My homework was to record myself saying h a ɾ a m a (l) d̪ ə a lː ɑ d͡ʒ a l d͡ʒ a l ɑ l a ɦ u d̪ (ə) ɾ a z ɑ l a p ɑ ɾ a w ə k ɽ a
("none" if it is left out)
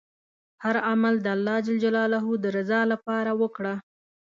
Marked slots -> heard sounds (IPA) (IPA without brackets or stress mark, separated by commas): l, ə